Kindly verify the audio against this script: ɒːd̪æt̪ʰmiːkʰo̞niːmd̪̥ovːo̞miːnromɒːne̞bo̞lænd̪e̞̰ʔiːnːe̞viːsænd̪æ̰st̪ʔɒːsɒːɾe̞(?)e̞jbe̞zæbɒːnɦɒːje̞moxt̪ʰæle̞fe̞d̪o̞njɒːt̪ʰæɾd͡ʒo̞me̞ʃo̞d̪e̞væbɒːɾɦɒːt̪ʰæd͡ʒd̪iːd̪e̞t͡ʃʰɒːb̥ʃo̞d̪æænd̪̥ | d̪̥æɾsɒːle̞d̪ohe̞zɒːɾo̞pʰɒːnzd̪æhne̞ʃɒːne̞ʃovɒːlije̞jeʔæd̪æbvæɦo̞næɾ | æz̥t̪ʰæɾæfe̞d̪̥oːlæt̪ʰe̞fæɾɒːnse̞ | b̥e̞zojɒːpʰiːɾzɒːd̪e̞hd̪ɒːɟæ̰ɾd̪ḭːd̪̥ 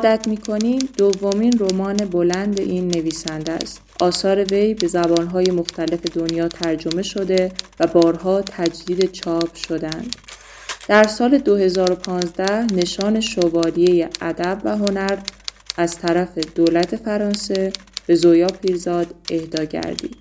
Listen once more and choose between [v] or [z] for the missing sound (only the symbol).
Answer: v